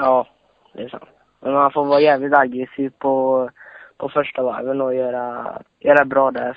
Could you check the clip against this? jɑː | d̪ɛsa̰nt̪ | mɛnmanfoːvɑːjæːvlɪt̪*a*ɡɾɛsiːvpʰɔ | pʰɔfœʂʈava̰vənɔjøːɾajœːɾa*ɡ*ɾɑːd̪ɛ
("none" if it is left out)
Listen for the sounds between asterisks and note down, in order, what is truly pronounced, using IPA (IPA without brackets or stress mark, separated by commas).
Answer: a, b